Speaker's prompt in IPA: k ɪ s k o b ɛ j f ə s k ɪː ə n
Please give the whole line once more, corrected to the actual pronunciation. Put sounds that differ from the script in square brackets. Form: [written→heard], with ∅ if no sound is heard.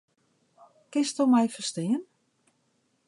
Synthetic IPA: k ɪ s [k→t] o [b→m] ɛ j f ə s [k→t] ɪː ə n